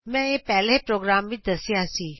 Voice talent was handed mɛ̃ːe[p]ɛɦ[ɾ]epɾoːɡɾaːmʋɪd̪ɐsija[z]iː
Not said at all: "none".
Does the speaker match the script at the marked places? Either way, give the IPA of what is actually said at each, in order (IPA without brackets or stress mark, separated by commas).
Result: p, l, s